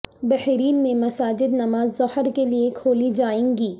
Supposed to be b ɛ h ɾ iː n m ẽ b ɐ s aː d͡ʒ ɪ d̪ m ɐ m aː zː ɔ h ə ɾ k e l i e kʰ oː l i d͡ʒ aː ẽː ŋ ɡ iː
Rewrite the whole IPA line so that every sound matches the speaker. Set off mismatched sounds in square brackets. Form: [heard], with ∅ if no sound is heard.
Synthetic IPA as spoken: b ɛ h ɾ iː n m ẽ [m] ɐ s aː d͡ʒ ɪ d̪ [n] ɐ m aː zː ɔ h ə ɾ k e l i e kʰ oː l i d͡ʒ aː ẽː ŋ ɡ iː